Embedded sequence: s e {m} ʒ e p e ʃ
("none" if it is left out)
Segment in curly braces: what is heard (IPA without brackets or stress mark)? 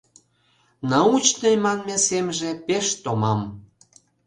m